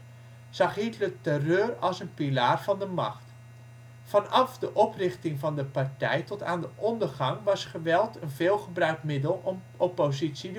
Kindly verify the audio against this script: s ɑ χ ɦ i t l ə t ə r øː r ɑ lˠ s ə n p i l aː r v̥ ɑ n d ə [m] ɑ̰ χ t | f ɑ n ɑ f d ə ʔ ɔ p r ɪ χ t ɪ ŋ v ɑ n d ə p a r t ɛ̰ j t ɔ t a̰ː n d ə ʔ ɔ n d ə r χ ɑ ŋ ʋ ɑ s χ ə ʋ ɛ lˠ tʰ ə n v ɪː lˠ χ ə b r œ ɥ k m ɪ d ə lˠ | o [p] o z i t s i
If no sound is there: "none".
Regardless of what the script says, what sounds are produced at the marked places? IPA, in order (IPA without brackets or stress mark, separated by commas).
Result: m, p